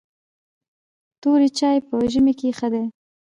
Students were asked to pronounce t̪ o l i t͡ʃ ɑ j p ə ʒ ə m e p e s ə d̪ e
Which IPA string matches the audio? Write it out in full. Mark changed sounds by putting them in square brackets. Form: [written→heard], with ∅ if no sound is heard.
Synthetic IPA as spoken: t̪ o [l→ɾ] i t͡ʃ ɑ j p ə ʒ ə m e [p→k] e [s→x] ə d̪ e